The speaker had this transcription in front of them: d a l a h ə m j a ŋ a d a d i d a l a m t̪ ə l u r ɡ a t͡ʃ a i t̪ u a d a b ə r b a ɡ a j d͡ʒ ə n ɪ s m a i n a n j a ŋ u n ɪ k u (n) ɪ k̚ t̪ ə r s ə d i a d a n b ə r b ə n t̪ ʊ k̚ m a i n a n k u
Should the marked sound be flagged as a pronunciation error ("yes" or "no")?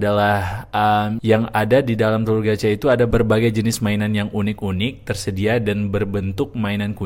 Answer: no